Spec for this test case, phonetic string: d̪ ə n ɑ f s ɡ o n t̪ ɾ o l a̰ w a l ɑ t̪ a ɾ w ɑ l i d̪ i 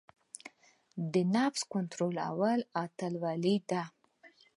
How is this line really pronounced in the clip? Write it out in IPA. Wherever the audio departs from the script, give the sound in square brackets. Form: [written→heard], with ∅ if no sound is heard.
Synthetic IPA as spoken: d̪ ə n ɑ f s [ɡ→k] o n t̪ ɾ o l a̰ w a l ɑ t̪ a [ɾ→l] w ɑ l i d̪ [i→a]

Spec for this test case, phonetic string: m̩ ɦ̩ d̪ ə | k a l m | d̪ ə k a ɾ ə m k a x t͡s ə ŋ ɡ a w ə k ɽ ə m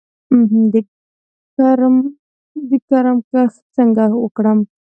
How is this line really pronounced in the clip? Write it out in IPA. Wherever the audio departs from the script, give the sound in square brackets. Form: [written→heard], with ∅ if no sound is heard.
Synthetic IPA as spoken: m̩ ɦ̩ d̪ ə | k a [l→ɾ] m | d̪ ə k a ɾ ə m k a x t͡s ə ŋ ɡ a w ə k ɽ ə m

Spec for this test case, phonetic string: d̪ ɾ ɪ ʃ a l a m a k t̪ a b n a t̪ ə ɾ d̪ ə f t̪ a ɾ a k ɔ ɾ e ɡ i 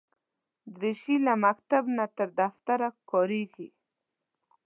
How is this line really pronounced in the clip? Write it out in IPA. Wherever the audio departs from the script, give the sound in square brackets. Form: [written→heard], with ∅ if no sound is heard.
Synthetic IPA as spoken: d̪ ɾ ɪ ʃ [a→i] l a m a k t̪ a b n a t̪ ə ɾ d̪ [ə→a] f t̪ a ɾ a k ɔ ɾ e ɡ i

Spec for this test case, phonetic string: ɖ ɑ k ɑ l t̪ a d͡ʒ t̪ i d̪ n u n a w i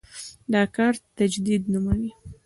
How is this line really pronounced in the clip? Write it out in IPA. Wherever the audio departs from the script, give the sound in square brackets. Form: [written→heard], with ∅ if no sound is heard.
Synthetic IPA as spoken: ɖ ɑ k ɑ [l→ɾ] t̪ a d͡ʒ [t̪→d̪] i d̪ n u [n→m] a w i

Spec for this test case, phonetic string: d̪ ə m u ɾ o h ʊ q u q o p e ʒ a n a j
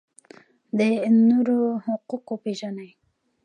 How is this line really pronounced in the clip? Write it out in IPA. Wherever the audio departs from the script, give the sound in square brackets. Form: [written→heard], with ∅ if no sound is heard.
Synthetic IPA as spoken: d̪ ə [m→n] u ɾ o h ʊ q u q o p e ʒ a n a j

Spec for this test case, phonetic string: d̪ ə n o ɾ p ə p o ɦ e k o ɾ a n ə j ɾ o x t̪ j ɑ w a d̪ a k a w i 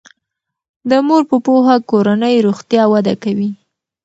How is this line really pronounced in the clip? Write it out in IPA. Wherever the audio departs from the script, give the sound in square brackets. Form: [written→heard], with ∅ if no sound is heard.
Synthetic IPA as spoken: d̪ ə [n→m] o ɾ p ə p o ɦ [e→a] k o ɾ a n ə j ɾ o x t̪ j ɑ w a d̪ a k a w i

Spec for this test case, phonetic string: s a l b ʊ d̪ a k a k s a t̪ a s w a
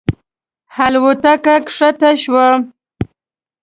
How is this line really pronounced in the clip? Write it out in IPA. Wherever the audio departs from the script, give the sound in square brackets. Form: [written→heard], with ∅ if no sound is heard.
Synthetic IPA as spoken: [s→h] a l [b→w] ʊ [d̪→t̪] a k a k [s→ʂ] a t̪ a [s→ʃ] w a

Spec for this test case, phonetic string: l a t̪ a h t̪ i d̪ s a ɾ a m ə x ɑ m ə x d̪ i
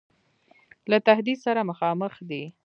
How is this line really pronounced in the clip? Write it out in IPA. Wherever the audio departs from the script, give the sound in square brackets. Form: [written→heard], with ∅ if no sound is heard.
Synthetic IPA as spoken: l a t̪ a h [t̪→d̪] i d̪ s a ɾ a m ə x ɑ m ə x d̪ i

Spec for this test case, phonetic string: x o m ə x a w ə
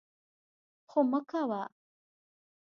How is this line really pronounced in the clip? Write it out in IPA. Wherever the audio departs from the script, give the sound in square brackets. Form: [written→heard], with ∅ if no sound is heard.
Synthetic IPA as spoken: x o m ə [x→k] a w [ə→a]

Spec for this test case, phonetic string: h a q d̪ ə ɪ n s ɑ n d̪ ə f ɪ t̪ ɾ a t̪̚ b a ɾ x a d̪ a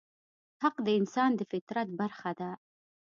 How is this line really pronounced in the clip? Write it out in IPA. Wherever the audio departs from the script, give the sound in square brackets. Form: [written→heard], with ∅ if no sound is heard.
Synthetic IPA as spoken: h a q d̪ ə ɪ n s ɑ n d̪ ə f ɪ t̪ ɾ a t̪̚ b a ɾ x a d̪ a

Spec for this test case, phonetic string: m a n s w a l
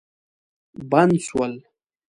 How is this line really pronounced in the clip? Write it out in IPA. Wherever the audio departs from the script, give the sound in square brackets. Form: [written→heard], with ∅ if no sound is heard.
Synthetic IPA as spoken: [m→b] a n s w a l

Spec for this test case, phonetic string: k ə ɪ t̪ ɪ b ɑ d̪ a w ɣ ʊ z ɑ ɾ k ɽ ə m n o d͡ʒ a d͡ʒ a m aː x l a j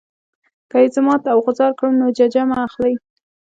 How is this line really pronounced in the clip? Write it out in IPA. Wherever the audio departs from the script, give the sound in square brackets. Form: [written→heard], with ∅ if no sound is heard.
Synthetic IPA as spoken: k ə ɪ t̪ ɪ [b→m] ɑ [d̪→t̪] a w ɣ ʊ z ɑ ɾ k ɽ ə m n o d͡ʒ a d͡ʒ a m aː x l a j

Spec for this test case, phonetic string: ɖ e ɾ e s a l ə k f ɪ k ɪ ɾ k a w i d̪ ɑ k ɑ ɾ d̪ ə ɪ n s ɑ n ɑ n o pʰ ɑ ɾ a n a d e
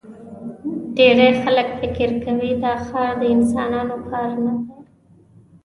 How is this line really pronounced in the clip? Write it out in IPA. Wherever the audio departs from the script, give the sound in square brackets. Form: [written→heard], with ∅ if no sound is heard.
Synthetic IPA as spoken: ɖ e ɾ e [s→x] a l ə k f ɪ k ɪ ɾ k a w i d̪ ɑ [k→x] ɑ ɾ d̪ ə ɪ n s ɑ n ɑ n o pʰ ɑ ɾ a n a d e

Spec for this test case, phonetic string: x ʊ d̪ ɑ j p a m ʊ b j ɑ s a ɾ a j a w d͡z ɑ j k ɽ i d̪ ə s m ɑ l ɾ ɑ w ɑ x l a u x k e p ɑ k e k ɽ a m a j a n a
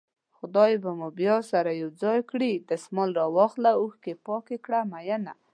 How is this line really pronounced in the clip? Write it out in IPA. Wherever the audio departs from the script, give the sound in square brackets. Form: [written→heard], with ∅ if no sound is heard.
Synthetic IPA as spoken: x ʊ d̪ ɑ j [p→b] a m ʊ b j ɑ s a ɾ a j a w d͡z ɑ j k ɽ i d̪ ə s m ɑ l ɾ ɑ w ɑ x l a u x k e p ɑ k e k ɽ a m a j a n a

